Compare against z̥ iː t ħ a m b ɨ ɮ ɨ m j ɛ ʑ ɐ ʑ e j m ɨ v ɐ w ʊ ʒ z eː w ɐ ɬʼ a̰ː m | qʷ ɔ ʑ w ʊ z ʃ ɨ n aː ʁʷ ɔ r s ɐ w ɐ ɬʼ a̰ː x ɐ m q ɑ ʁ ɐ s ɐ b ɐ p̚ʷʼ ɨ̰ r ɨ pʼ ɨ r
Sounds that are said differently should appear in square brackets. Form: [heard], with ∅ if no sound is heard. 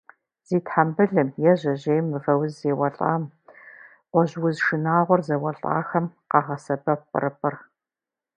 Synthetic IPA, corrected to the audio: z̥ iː t ħ a m b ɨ ɮ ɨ m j ɛ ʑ ɐ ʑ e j m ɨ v ɐ w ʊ [z] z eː w ɐ ɬʼ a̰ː m | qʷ ɔ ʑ w ʊ z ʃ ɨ n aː ʁʷ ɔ r [z] ɐ w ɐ ɬʼ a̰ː x ɐ m q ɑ ʁ ɐ s ɐ b ɐ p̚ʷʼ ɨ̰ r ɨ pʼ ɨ r

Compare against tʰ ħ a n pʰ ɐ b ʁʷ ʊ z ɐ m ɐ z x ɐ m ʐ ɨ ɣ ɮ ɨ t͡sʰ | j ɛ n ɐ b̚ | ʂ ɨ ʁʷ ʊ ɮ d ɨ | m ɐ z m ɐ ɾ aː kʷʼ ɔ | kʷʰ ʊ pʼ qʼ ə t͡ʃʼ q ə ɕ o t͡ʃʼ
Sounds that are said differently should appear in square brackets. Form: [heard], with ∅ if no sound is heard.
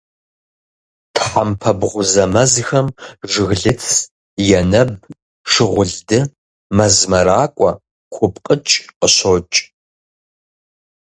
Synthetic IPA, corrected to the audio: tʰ ħ a [m] pʰ ɐ b ʁʷ ʊ z ɐ m ɐ z x ɐ m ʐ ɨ ɣ ɮ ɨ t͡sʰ | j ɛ n ɐ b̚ | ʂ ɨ ʁʷ ʊ ɮ d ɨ | m ɐ z m ɐ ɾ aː kʷʼ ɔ | kʷʰ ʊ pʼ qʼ ə t͡ʃʼ q ə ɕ o t͡ʃʼ

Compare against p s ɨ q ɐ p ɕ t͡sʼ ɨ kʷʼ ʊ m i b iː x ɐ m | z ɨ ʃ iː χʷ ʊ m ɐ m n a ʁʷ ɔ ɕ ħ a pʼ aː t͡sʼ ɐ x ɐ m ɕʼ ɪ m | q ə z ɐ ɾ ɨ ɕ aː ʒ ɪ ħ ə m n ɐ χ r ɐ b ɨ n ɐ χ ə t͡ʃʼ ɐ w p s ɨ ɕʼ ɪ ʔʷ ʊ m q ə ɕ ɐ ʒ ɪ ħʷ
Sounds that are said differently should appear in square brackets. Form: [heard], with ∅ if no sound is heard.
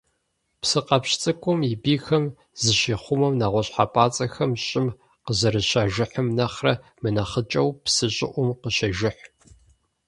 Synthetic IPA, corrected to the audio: p s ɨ q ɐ p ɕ t͡sʼ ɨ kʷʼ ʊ m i b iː x ɐ m | z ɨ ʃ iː χʷ ʊ m ɐ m n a ʁʷ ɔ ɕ ħ a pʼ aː t͡sʼ ɐ x ɐ m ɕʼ ɪ m | q ə z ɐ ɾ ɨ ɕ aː ʒ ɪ ħ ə m n ɐ χ r ɐ [m] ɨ n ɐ χ ə t͡ʃʼ ɐ w p s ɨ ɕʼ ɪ ʔʷ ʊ m q ə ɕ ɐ ʒ ɪ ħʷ

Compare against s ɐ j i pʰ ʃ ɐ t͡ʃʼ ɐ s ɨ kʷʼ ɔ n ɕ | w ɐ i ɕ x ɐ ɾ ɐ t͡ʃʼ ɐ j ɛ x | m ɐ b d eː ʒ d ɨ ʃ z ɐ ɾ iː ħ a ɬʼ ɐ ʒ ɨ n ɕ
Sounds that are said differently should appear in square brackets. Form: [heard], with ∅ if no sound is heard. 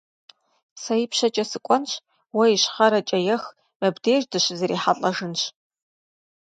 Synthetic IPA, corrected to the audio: s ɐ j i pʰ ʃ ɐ t͡ʃʼ ɐ s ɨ kʷʼ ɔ n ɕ | w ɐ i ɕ [χ] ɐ ɾ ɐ t͡ʃʼ ɐ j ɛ x | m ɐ b d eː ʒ d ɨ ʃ z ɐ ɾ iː ħ a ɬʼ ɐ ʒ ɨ n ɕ

